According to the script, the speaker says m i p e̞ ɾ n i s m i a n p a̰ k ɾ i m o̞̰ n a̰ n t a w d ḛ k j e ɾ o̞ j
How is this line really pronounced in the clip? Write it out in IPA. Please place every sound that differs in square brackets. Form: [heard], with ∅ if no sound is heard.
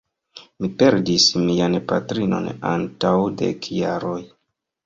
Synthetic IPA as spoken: m i p e̞ ɾ [d] i s m i a n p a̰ [t] ɾ i [n] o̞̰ n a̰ n t a w d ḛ k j [a] ɾ o̞ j